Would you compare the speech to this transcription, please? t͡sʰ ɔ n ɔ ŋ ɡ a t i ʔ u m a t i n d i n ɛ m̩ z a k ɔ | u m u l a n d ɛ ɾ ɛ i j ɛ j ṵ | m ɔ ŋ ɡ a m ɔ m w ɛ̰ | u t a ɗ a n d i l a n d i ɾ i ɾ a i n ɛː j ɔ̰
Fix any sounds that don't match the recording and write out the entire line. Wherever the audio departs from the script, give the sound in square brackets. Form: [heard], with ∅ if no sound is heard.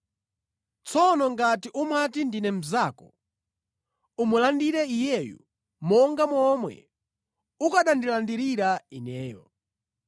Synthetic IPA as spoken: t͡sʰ ɔ n ɔ ŋ ɡ a t i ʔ u m a t i n d i n ɛ m̩ z a k ɔ | u m u l a n d [i] ɾ ɛ i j ɛ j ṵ | m ɔ ŋ ɡ a m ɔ m w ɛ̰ | u [k] a ɗ a n d i l a n d i ɾ i ɾ a i n ɛː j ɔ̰

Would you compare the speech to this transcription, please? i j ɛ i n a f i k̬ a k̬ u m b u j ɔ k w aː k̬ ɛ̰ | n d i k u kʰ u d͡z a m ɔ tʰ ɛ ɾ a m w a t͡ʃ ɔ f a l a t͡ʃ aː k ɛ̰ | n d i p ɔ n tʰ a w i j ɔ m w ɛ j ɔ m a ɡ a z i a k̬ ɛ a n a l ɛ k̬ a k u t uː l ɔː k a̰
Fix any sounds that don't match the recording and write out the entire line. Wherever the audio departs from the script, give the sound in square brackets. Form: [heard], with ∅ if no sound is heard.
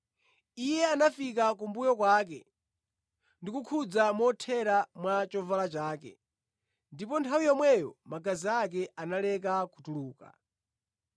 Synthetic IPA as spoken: i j ɛ [a] n a f i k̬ a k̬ u m b u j ɔ k w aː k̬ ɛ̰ | n d i k u kʰ u d͡z a m ɔ tʰ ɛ ɾ a m w a t͡ʃ ɔ [v] a l a t͡ʃ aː k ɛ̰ | n d i p ɔ n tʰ a w i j ɔ m w ɛ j ɔ m a ɡ a z i a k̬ ɛ a n a l ɛ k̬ a k u t [u] l [uː] k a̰

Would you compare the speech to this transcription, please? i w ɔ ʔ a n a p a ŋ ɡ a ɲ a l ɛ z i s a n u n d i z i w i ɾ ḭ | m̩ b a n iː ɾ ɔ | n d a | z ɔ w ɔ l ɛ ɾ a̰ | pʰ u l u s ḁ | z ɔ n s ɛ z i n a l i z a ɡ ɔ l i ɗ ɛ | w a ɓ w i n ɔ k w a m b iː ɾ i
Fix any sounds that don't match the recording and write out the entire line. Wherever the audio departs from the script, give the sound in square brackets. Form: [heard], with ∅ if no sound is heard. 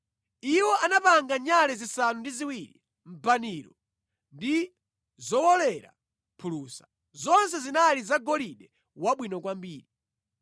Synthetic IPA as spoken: i w ɔ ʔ a n a p a ŋ ɡ a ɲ a l ɛ z i s a n u n d i z i w i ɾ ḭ | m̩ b a n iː ɾ ɔ | n d [i] | z ɔ w ɔ l ɛ ɾ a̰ | pʰ u l u s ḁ | z ɔ n s ɛ z i n a l i z a ɡ ɔ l i ɗ ɛ | w a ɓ w i n ɔ k w a m b iː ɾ i

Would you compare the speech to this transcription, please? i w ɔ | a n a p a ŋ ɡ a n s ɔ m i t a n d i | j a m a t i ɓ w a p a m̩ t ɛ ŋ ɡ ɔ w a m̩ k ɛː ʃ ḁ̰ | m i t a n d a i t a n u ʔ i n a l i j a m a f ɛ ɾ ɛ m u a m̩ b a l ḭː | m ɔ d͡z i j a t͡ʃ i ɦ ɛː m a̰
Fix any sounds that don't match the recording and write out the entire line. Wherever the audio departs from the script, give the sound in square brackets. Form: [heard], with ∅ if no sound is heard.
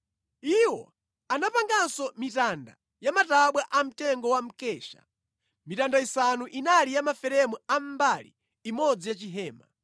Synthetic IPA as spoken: i w ɔ | a n a p a ŋ ɡ a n s ɔ m i t a n d [a] | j a m a t [a] ɓ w a [ʔ] a m̩ t ɛ ŋ ɡ ɔ w a m̩ k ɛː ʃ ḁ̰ | m i t a n d a i [s] a n u ʔ i n a l i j a m a f ɛ ɾ ɛ m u a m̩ b a l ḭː | m ɔ d͡z i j a t͡ʃ i ɦ ɛː m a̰

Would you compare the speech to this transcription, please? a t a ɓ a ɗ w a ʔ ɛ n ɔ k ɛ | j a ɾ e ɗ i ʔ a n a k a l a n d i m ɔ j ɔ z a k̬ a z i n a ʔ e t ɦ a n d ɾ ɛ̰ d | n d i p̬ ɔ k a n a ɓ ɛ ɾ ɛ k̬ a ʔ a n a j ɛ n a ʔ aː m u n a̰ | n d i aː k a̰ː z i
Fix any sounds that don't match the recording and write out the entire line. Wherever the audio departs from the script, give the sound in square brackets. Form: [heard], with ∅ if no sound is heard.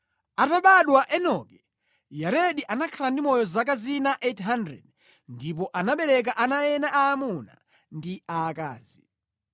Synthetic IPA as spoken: a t a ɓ a ɗ w a ʔ ɛ n ɔ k ɛ | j a ɾ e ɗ i ʔ a n a [kʰ] a l a n d i m ɔ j ɔ z a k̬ a z i n a ʔ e t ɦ a n d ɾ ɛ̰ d | n d i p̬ ɔ [ʔ] a n a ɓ ɛ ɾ ɛ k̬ a ʔ a n a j ɛ n a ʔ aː m u n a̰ | n d i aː k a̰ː z i

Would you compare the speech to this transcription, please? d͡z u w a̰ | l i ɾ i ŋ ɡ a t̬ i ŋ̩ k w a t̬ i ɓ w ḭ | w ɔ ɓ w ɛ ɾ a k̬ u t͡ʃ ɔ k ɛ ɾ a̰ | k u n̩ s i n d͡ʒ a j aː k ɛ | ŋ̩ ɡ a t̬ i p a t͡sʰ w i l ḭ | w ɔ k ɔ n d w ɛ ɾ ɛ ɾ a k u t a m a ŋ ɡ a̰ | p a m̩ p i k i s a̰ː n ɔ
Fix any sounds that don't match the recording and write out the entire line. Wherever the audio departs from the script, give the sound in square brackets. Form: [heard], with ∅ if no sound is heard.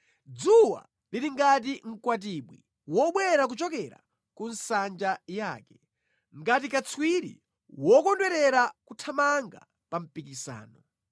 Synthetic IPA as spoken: d͡z u w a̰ | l i ɾ i ŋ ɡ a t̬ i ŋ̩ k w a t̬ i ɓ w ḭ | w ɔ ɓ w ɛ ɾ a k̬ u t͡ʃ ɔ k ɛ ɾ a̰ | k u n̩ s [a] n d͡ʒ a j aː k ɛ | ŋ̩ ɡ a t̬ i [k] a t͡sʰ w i [ɾ] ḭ | w ɔ k ɔ n d w ɛ ɾ ɛ ɾ a k u [tʰ] a m a ŋ ɡ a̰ | p a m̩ p i k i s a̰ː n ɔ

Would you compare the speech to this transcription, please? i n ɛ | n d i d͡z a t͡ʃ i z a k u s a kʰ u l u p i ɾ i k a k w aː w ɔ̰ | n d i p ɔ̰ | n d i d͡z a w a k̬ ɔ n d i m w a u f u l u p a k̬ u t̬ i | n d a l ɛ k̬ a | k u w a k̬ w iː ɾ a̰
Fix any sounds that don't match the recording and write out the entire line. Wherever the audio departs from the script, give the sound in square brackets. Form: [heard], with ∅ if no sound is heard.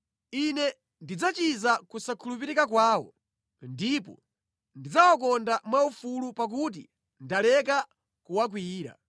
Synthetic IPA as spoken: i n ɛ | n d i d͡z a t͡ʃ i z a k u s a kʰ u l u p i ɾ i k a k w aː w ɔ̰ | n d i p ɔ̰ | n d i d͡z a w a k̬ ɔ n d [a] m w a u f u l u p a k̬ u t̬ i | n d a l ɛ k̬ a | k u w a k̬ w iː ɾ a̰

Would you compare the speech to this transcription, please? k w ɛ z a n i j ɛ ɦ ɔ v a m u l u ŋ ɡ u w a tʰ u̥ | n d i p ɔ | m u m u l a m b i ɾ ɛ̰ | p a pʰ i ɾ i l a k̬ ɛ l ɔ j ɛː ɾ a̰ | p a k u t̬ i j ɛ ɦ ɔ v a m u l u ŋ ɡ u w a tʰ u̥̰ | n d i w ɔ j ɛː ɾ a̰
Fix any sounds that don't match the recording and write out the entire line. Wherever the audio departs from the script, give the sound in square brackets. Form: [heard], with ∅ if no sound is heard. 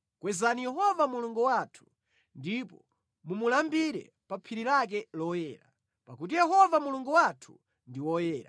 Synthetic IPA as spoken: k w ɛ z a n i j ɛ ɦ ɔ v a m u l u ŋ ɡ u w a tʰ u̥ | n d i p ɔ | m u m u l a m b i ɾ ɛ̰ | p a pʰ i ɾ i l a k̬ ɛ l ɔ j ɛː ɾ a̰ | p a k u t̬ i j ɛ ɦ ɔ v a m u l u ŋ ɡ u w a tʰ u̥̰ | n d i w ɔ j ɛː ɾ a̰

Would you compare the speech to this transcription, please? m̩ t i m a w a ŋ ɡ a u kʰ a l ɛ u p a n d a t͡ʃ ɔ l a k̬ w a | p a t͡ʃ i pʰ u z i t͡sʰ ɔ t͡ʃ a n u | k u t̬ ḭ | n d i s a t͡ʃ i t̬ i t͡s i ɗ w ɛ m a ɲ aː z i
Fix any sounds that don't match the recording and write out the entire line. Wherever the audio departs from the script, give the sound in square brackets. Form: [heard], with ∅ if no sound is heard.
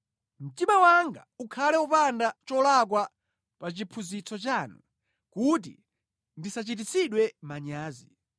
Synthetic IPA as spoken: m̩ t i m a w a ŋ ɡ a u kʰ a l ɛ u p a n d a t͡ʃ ɔ l a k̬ w a | p a t͡ʃ i pʰ u z i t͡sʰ ɔ t͡ʃ a n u | k u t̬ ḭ | n d i s a t͡ʃ i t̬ i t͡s i ɗ w ɛ m a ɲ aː z i

